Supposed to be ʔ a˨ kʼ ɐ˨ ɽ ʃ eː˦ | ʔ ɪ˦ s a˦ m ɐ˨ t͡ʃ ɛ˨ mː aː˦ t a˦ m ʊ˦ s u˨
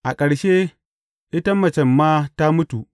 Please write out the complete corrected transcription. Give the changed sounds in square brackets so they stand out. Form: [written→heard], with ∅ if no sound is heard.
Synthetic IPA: ʔ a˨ kʼ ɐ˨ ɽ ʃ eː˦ | ʔ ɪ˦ [s→t] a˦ m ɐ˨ t͡ʃ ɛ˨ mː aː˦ t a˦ m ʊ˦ [s→t] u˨

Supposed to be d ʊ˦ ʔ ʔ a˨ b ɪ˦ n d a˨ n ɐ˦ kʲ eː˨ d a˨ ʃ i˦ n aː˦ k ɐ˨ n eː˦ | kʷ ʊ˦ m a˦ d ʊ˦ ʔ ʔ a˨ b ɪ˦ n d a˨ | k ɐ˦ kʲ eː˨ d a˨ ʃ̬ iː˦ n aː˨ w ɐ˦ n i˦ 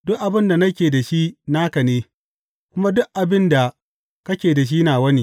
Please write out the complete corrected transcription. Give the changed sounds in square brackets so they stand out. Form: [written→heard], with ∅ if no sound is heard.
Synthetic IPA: d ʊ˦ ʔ ʔ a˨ b ɪ˦ n d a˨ n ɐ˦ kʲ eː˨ d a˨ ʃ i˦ n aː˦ k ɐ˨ n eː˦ | kʷ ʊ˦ m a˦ d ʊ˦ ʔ ʔ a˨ b ɪ˦ n d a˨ | k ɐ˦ kʲ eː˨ d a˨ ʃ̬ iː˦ n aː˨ w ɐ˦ n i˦

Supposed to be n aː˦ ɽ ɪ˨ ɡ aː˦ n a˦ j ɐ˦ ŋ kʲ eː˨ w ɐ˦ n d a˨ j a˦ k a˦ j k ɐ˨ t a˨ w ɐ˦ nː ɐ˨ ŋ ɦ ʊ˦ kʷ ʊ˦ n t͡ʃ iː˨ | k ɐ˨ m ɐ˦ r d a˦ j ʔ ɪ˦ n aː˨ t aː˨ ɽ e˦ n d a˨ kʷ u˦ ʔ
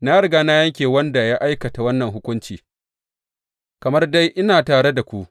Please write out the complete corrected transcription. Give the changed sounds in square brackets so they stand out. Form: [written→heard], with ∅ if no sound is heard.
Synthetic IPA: n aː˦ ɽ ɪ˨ ɡ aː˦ n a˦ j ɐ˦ ŋ kʲ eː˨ w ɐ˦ n d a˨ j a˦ [k→ʔ] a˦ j k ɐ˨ t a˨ w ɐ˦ nː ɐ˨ ŋ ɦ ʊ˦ kʷ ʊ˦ n t͡ʃ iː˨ | k ɐ˨ m ɐ˦ r d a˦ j ʔ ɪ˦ n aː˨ t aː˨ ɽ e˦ [n→∅] d a˨ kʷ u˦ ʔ

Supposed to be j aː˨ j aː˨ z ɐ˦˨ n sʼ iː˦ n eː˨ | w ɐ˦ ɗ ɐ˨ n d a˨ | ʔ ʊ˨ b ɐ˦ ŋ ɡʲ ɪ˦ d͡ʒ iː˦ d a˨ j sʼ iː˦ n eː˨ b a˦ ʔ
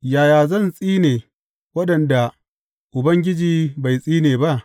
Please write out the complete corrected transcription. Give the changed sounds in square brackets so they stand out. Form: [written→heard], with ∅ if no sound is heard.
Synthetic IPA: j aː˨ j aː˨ z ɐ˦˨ n sʼ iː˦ n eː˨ | w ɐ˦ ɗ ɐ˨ n d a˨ | ʔ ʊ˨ b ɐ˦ ŋ ɡʲ ɪ˦ d͡ʒ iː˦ [d→b] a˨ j sʼ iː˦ n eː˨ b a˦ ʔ

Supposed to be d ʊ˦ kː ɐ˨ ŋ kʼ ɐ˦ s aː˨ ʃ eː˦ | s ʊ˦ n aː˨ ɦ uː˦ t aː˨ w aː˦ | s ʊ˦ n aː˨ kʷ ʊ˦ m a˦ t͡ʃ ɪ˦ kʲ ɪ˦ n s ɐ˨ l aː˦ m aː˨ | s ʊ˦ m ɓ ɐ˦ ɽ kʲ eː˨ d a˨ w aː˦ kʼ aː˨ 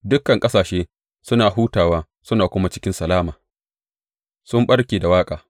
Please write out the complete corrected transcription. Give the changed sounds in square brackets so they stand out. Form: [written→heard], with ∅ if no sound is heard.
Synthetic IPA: d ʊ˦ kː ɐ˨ ŋ kʼ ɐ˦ s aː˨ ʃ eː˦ | s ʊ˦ n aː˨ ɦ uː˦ t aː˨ w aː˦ | s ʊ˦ n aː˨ kʷ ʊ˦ m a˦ t͡ʃ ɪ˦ kʲ ɪ˦ n s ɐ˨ l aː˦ m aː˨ | s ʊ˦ m ɓ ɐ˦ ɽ kʲ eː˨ d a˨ w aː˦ kʼ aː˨

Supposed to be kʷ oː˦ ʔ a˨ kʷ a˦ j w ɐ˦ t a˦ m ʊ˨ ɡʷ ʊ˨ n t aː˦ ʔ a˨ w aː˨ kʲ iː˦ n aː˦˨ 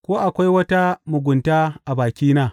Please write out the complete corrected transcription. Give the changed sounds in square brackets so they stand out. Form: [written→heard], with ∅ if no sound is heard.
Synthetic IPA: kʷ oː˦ ʔ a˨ kʷ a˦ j w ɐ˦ t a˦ m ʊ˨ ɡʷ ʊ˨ n t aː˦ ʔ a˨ [w→b] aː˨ kʲ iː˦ n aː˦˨

